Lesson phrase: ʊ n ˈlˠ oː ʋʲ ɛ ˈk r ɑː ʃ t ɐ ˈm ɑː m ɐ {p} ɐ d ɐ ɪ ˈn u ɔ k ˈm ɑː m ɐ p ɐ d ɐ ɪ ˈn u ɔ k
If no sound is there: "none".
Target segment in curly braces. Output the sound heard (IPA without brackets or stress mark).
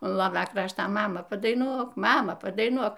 p